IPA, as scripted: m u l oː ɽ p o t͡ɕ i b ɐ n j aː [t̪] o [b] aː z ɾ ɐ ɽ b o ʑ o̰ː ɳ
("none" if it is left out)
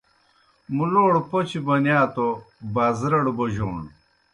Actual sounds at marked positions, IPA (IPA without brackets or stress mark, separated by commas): t̪, b